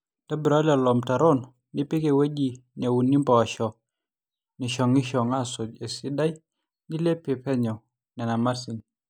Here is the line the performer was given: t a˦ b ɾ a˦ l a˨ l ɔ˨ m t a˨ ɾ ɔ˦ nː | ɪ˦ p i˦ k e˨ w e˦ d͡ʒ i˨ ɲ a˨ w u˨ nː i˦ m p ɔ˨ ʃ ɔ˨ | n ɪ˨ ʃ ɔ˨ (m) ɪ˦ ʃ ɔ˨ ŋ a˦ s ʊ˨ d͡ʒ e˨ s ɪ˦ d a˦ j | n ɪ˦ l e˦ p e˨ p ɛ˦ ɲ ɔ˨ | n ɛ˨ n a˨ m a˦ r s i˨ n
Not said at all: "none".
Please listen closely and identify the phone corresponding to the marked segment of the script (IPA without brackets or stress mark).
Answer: ŋ